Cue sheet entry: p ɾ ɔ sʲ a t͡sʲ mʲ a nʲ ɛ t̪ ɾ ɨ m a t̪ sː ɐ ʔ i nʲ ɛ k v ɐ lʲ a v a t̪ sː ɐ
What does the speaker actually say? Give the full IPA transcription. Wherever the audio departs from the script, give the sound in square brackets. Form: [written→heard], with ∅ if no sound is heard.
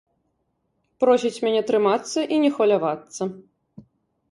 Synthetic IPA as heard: p ɾ ɔ sʲ [a→i] t͡sʲ mʲ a nʲ ɛ t̪ ɾ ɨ m a t̪ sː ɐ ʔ i nʲ ɛ [k→x] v ɐ lʲ a v a t̪ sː ɐ